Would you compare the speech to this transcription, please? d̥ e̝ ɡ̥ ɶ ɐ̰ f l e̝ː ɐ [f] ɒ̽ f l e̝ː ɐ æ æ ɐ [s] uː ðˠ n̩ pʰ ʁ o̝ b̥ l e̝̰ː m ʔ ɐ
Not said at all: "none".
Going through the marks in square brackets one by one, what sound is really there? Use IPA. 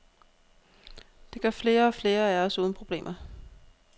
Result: none, s

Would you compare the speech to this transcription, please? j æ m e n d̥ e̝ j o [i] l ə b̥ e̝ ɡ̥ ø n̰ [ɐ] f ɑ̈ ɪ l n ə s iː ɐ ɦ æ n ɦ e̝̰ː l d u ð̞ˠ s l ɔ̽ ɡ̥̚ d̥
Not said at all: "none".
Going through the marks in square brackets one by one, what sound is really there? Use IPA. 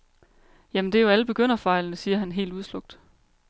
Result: æ, ɐ

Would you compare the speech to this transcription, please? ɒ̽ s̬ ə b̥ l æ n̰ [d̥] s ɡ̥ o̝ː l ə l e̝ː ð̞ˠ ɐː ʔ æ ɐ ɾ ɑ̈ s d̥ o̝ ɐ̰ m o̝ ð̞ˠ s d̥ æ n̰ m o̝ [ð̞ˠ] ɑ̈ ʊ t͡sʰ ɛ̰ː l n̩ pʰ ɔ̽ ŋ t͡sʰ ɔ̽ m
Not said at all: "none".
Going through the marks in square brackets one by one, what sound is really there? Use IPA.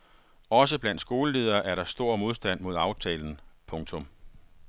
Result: d̥, ð̞ˠ

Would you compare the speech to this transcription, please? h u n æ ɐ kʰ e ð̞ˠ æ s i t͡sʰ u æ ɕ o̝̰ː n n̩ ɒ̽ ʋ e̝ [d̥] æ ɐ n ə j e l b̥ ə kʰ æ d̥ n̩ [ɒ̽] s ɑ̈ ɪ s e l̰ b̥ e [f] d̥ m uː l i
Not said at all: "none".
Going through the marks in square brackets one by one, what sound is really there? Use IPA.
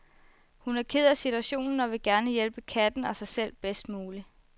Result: ɡ̥, ɒ̽, s

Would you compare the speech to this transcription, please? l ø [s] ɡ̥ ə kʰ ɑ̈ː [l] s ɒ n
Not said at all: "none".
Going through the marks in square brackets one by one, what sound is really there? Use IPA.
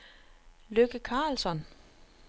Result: none, l

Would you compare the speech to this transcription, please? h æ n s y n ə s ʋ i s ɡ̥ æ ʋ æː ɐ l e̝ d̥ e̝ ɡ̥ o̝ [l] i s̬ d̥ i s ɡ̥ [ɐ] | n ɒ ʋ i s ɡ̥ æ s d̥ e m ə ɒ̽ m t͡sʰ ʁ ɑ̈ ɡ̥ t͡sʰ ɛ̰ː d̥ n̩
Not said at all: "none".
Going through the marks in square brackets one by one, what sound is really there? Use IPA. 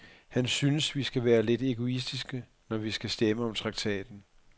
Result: none, ə

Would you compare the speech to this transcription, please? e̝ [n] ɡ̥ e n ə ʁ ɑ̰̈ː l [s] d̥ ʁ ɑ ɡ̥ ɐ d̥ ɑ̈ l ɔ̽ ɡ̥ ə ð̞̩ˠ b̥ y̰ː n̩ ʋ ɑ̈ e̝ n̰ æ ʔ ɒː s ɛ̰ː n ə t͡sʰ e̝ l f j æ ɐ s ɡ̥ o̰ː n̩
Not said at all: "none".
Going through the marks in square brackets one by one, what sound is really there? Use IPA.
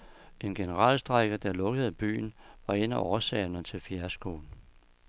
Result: n, s

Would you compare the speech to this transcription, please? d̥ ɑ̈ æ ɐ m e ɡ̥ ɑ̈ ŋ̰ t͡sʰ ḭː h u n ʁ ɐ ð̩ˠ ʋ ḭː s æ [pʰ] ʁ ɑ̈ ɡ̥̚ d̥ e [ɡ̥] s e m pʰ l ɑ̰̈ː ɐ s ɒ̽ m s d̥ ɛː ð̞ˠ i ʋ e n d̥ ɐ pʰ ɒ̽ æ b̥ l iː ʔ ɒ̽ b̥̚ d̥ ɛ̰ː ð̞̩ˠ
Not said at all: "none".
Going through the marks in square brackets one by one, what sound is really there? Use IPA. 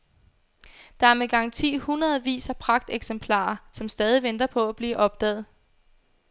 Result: pʰ, ɡ̥

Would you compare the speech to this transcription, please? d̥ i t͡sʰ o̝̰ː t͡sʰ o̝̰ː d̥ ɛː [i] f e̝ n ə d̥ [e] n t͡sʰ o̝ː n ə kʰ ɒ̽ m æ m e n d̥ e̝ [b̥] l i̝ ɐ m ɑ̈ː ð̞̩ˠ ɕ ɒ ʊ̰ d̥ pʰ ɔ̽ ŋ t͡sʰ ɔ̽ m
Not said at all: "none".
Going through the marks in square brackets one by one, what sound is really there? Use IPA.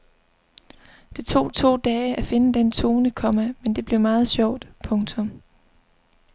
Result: æ, e, b̥

